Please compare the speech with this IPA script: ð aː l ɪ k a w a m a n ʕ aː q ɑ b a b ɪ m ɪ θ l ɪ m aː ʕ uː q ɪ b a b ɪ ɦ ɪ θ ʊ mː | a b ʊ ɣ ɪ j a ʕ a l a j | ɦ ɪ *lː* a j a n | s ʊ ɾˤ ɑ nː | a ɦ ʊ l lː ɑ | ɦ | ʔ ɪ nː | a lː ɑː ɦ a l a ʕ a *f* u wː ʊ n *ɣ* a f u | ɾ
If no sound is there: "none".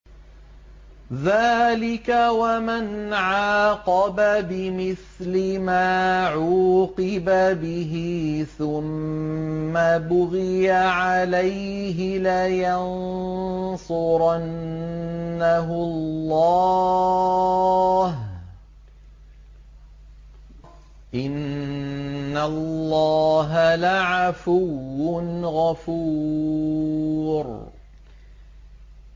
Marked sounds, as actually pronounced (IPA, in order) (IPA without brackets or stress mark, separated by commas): l, f, ɣ